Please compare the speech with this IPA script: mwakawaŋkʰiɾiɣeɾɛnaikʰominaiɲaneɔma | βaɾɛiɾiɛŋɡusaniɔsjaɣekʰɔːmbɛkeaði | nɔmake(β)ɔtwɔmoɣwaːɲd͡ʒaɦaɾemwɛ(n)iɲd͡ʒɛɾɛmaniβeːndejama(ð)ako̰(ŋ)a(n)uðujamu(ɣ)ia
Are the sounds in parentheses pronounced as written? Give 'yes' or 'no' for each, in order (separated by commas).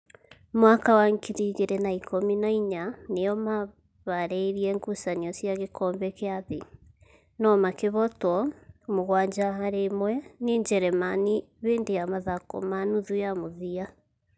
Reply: yes, yes, yes, no, yes, no